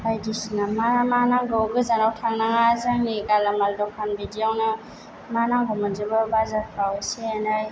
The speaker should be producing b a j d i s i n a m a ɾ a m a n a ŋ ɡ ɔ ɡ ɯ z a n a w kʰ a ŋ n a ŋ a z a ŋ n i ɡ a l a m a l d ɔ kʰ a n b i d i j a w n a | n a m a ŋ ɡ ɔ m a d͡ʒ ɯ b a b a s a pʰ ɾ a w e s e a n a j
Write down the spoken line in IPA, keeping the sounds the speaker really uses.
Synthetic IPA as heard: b a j d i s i n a m a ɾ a m a n a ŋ ɡ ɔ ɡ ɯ z a n a w tʰ a ŋ n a ŋ a z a ŋ n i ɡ a l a m a l d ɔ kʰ a n b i d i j a w n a | m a n a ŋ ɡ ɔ m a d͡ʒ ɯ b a b a z a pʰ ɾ a w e s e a n a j